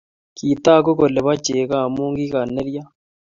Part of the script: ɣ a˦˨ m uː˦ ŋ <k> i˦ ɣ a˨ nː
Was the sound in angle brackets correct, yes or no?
no